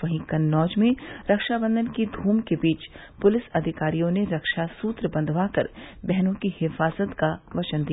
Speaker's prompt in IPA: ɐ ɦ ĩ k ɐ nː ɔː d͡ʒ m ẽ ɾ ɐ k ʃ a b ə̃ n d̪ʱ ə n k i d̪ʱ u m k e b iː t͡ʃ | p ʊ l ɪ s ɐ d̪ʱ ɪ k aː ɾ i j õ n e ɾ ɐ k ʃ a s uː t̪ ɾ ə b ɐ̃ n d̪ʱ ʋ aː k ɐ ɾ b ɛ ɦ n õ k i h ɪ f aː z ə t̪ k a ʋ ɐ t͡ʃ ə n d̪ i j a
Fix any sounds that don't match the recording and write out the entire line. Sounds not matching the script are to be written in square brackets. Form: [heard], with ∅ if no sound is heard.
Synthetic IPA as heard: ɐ ɦ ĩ k ɐ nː ɔː d͡ʒ m ẽ ɾ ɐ k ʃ a b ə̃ n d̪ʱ ə n k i d̪ʱ [uː] m k e b iː t͡ʃ | p ʊ l ɪ s ɐ d̪ʱ ɪ k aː ɾ i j õ n e ɾ ɐ k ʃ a s uː t̪ ɾ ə b ɐ̃ n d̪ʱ ʋ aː k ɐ ɾ b ɛ ɦ n õ k i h ɪ f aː z ə t̪ k a ʋ ɐ t͡ʃ ə n d̪ i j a